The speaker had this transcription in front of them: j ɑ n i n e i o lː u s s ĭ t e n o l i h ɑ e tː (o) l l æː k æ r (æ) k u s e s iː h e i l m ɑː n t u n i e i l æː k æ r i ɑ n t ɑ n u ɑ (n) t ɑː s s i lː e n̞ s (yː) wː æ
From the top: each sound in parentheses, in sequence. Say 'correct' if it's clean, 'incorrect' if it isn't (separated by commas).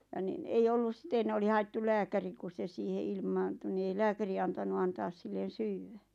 incorrect, incorrect, correct, correct